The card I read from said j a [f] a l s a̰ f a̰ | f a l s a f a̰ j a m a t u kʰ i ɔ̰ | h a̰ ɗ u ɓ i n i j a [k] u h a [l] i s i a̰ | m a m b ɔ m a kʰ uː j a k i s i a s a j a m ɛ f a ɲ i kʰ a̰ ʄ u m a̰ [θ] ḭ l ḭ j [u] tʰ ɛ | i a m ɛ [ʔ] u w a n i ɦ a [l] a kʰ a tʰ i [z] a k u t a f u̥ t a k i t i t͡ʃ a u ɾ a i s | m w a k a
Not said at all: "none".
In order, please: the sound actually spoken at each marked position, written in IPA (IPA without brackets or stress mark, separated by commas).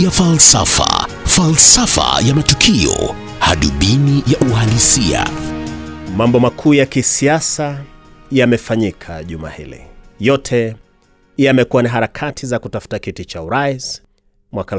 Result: f, ʔ, l, h, ɔ, k, ɾ, z